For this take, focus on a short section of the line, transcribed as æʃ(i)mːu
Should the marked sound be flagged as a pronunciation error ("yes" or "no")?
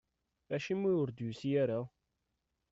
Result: no